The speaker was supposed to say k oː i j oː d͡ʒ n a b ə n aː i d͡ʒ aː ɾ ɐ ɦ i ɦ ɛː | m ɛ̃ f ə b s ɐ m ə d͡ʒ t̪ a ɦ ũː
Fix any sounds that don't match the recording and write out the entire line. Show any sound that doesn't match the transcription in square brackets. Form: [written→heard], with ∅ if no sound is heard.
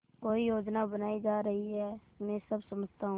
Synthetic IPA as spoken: k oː i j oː d͡ʒ n a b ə n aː i d͡ʒ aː ɾ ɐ ɦ i ɦ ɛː | m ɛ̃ [f→s] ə b s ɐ m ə d͡ʒ t̪ a ɦ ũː

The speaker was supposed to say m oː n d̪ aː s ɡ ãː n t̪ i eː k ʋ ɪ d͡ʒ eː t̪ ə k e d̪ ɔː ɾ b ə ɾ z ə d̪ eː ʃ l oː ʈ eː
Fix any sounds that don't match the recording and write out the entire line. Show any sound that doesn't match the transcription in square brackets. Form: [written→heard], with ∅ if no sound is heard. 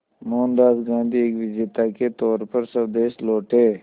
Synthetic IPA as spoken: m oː n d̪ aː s ɡ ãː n [t̪→d̪] i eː k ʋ ɪ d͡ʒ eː t̪ [ə→a] k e [d̪→t̪] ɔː ɾ [b→p] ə ɾ [z→s] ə d̪ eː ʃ l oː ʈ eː

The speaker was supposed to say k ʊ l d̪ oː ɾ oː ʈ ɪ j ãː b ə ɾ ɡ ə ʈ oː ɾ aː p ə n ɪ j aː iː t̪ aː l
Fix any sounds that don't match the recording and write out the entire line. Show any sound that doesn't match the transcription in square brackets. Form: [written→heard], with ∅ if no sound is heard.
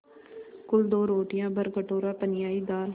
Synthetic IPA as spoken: k ʊ l d̪ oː ɾ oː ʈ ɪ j ãː b ə ɾ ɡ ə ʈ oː ɾ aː p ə n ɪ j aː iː [t̪→d̪] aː l

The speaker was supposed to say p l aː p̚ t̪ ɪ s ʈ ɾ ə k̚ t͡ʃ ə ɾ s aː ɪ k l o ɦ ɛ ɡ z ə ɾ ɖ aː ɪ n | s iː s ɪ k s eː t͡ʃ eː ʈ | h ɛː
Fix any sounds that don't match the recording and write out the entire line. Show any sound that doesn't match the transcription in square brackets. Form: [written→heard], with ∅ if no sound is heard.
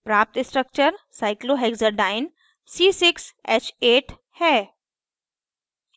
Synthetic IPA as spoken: p [l→ɾ] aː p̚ t̪ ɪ s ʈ ɾ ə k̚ t͡ʃ ə ɾ s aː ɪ k l o ɦ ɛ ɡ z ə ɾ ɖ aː ɪ n | s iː s ɪ k s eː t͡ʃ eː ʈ | h ɛː

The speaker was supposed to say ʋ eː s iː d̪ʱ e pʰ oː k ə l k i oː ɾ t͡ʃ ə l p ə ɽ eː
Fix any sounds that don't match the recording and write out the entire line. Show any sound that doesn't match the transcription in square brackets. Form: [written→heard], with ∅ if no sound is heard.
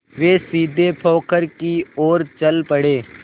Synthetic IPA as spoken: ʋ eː s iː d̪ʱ e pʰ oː k ə [l→ɾ] k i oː ɾ t͡ʃ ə l p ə ɽ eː

